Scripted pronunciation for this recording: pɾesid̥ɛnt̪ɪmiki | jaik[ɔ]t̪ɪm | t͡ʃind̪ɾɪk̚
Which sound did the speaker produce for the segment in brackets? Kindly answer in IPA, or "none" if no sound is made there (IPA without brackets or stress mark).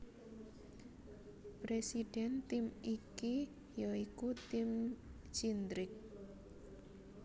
u